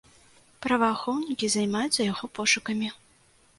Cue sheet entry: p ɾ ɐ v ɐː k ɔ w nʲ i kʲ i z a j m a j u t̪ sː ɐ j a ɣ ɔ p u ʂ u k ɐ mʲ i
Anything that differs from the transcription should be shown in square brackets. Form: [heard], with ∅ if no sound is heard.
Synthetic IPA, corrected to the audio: p ɾ ɐ v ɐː [x] ɔ w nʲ i kʲ i z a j m a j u t̪ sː ɐ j a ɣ ɔ p [ɔ] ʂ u k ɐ mʲ i